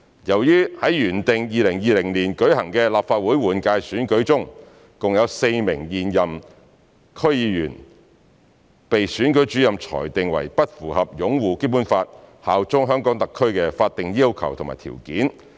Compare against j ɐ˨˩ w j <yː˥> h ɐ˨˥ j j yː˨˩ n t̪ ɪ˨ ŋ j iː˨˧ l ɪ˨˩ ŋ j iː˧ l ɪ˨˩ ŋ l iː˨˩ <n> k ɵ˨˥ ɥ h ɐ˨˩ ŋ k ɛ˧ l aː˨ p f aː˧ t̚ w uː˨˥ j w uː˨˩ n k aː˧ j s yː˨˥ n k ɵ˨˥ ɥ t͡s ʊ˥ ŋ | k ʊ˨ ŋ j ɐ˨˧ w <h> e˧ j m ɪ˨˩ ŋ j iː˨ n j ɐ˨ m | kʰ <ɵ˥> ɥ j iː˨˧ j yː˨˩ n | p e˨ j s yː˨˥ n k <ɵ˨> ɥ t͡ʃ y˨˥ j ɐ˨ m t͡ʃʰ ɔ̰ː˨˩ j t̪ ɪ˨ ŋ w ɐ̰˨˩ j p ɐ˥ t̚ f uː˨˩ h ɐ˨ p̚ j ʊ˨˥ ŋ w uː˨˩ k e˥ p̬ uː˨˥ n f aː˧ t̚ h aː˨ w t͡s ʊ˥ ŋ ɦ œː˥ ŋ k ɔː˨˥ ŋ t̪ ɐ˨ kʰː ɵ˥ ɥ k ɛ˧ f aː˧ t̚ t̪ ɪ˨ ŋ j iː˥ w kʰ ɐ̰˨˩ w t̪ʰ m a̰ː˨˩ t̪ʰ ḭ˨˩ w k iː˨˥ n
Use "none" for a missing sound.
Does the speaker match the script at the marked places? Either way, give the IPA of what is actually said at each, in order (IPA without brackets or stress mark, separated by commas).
yː˥, n, s, ɵ˥, ɵ˨˥